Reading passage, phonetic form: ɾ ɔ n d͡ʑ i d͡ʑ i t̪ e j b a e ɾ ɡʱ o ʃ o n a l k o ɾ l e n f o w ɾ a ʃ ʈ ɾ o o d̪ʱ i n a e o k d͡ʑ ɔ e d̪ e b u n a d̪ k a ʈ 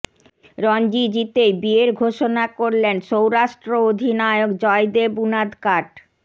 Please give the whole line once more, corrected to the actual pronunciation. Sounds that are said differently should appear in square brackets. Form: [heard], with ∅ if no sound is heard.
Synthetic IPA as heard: ɾ ɔ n d͡ʑ i d͡ʑ i t̪ e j b [i] e ɾ ɡʱ o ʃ o n a [∅] k o ɾ l e n [ʃ] o w ɾ a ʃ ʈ ɾ o o d̪ʱ i n a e o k d͡ʑ ɔ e d̪ e b u n a d̪ k a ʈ